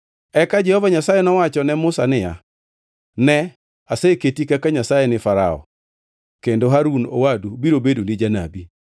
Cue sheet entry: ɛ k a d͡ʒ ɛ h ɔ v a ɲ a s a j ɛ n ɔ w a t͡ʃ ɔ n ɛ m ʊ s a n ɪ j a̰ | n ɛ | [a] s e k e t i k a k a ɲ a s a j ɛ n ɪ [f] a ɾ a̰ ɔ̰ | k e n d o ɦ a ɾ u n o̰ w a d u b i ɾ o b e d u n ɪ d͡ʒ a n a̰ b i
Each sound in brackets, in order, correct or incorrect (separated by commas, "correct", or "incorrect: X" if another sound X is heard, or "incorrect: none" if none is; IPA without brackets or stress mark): correct, correct